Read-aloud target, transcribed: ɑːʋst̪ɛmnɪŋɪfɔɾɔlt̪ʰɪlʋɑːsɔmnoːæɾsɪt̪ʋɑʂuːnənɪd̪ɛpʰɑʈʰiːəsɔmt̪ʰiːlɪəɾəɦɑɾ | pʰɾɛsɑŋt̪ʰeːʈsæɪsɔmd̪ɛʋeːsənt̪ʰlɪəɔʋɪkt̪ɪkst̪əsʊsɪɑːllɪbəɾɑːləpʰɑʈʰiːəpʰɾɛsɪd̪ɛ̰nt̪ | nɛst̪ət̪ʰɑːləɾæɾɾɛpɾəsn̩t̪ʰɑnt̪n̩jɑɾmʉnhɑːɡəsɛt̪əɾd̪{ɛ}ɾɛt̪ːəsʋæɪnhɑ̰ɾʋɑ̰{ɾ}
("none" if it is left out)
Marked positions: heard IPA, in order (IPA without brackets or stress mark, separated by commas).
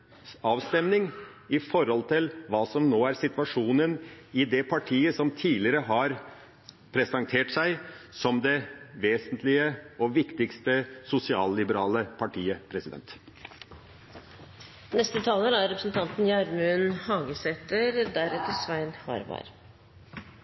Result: æ, ɾ